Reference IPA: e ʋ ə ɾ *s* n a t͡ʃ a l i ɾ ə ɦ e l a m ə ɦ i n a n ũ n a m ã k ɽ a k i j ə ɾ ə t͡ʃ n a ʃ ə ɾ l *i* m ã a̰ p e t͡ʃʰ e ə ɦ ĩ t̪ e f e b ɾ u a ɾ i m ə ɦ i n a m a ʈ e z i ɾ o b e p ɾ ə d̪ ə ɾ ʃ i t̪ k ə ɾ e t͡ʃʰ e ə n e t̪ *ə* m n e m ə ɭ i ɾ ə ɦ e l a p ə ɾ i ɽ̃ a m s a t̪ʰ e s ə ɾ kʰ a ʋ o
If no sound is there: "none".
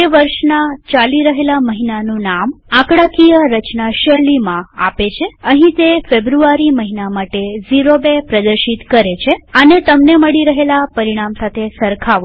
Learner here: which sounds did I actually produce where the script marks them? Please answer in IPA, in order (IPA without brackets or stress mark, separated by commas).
ʃ, i, ə